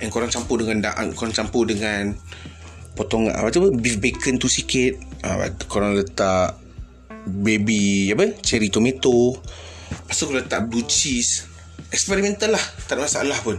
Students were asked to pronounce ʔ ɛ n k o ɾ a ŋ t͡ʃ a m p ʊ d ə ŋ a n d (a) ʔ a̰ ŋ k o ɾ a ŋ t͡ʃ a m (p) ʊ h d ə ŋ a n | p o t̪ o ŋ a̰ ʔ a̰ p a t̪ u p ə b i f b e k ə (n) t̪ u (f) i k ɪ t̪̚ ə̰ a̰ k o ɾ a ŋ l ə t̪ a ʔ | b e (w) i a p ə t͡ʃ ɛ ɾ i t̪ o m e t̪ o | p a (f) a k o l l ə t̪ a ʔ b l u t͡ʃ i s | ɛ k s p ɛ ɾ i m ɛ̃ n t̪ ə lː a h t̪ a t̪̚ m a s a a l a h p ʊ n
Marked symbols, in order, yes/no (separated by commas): yes, yes, yes, no, no, no